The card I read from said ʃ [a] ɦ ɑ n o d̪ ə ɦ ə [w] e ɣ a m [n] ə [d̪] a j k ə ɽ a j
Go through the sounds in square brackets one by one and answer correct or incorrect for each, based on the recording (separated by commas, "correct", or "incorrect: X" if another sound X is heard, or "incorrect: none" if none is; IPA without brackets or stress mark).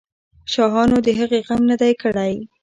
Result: incorrect: ɑ, incorrect: ɣ, correct, correct